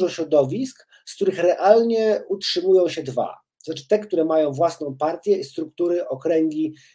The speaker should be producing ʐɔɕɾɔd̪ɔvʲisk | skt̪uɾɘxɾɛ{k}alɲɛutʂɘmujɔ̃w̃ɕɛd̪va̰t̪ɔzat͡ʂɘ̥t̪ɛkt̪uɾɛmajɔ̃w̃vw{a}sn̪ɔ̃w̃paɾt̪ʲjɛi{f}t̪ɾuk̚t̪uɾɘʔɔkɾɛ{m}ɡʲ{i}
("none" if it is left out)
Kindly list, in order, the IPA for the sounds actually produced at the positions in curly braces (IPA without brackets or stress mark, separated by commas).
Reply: ʔ, a, s, ŋ, i